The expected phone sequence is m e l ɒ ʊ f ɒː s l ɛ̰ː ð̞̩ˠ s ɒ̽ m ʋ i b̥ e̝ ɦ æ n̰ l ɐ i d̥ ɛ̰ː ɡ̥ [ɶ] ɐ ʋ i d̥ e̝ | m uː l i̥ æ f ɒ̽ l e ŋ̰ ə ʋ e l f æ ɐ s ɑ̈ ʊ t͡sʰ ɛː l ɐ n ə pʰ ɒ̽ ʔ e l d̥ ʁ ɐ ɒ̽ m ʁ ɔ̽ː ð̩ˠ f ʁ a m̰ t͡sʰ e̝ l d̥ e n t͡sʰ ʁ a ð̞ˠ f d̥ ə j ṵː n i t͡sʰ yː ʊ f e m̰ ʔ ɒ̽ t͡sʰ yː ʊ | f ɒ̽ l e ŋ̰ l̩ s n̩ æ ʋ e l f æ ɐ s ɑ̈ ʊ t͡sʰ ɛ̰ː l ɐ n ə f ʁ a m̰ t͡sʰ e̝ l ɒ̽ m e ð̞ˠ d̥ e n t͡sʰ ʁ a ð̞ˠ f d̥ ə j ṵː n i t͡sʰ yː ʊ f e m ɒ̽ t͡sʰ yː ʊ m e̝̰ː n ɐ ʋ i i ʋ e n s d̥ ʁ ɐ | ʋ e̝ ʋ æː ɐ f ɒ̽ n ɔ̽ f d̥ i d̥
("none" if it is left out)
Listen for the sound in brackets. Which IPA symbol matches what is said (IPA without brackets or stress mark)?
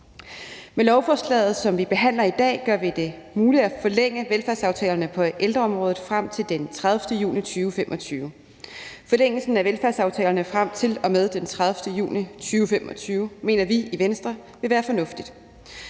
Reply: ɶ